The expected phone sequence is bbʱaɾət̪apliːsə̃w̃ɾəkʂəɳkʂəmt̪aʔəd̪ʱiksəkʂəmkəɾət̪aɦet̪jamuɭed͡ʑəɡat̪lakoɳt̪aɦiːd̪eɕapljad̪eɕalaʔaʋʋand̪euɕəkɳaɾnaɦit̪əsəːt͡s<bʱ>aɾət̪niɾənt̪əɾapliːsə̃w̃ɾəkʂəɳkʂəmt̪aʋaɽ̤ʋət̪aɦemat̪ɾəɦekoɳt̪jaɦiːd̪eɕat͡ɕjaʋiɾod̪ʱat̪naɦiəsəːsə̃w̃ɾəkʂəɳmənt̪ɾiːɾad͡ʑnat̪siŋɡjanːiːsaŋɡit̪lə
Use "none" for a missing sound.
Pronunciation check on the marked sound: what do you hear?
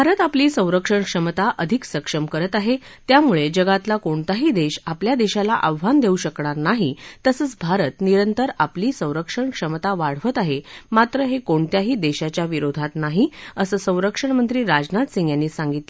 bʱ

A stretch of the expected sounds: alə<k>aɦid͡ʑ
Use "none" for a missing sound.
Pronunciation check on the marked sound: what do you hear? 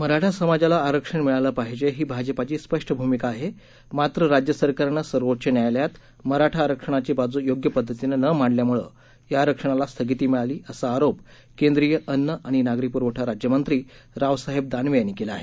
p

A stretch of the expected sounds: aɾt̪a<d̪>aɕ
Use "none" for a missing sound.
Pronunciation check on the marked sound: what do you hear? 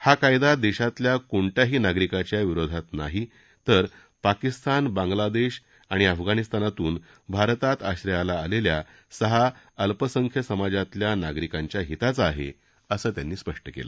t̪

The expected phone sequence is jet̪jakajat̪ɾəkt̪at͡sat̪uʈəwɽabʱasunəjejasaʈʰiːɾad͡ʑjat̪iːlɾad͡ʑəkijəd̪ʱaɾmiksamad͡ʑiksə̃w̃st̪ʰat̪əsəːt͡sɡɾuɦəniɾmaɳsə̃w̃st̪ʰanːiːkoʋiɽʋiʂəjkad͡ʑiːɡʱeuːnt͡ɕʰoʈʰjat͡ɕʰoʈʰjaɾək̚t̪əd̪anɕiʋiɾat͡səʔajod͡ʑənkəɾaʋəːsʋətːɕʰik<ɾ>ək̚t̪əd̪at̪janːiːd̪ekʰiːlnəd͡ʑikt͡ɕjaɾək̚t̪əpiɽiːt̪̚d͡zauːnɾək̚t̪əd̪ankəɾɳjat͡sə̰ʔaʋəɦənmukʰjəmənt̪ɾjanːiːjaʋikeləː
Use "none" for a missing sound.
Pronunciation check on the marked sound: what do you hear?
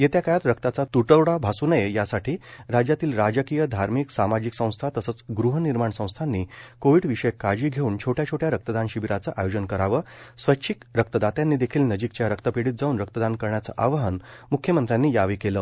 ɾ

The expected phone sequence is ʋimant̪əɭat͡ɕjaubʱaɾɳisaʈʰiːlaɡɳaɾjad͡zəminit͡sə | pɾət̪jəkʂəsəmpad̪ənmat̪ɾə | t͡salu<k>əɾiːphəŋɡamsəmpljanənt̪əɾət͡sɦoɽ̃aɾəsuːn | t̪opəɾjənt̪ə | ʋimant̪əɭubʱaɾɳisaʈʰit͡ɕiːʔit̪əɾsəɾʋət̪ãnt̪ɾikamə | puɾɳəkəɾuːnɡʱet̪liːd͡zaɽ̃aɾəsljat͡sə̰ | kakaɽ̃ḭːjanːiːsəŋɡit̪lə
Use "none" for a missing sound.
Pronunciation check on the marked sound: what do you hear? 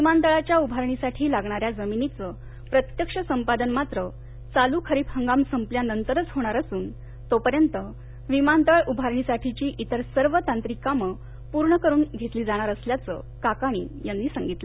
kʰ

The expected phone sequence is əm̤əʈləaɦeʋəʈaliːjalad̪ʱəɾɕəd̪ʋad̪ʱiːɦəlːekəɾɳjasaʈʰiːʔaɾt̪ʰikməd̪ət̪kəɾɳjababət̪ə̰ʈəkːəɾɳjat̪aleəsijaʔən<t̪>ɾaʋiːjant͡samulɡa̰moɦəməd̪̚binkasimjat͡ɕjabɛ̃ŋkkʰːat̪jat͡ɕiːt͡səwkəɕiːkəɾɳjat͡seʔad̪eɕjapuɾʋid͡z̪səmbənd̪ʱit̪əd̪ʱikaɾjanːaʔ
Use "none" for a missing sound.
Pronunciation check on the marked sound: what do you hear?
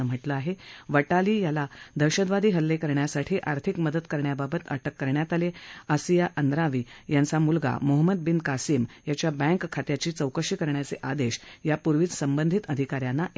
d̪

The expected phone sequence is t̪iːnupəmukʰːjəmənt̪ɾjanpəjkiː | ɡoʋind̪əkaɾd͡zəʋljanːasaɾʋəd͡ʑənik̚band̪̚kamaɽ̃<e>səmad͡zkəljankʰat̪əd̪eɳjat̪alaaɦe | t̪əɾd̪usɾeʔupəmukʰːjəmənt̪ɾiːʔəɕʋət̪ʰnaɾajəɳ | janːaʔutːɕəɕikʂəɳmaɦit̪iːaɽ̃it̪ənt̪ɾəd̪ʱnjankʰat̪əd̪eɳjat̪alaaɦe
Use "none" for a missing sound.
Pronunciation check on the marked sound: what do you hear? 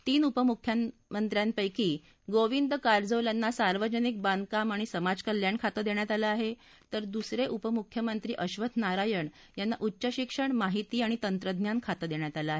i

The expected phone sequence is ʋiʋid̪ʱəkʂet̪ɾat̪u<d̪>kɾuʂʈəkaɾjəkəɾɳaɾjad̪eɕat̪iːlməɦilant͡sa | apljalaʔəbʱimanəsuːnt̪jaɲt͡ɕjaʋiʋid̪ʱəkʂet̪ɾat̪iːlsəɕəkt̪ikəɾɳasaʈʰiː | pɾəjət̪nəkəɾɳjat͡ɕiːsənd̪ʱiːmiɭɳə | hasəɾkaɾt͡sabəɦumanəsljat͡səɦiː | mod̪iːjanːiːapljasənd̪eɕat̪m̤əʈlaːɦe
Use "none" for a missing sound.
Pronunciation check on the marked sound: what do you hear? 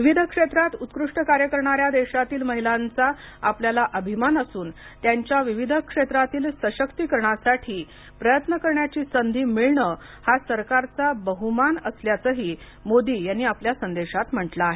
t̪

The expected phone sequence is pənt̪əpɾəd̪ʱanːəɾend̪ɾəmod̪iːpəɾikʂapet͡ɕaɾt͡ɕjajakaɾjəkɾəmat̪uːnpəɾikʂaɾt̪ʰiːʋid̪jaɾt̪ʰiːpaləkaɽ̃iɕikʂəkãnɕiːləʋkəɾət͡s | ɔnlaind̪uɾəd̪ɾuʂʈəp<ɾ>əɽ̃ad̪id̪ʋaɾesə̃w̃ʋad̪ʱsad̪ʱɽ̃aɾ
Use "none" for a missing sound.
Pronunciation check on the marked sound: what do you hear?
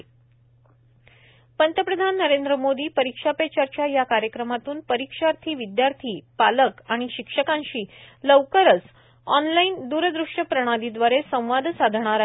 ɾ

